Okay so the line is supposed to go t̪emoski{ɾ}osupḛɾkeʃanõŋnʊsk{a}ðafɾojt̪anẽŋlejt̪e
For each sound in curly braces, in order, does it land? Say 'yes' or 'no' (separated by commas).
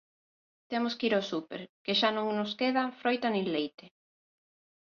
yes, no